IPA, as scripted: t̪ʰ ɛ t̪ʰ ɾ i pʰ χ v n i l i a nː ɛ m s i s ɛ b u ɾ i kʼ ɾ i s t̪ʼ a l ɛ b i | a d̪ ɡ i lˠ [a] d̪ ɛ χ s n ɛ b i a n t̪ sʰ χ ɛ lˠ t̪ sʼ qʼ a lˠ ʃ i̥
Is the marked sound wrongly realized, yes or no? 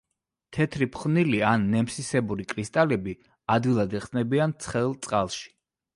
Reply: no